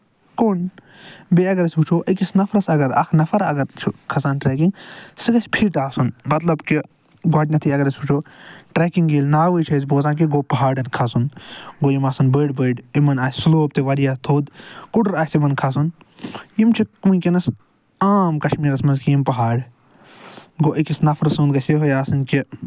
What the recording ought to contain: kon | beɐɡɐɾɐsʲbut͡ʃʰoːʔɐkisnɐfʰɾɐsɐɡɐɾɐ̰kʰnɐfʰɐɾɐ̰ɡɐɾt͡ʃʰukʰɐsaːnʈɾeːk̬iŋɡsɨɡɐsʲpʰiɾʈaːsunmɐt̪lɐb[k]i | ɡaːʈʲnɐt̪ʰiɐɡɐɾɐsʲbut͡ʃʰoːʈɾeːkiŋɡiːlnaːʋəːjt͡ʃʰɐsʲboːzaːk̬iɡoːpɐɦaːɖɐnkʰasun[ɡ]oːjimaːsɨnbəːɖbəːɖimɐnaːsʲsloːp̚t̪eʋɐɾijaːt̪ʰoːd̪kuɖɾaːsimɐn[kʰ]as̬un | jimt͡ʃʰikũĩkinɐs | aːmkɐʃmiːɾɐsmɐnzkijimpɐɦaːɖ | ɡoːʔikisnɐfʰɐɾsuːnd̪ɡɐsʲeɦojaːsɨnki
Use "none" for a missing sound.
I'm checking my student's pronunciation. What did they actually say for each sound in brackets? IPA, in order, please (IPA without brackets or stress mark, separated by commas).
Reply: k, ɡ, kʰ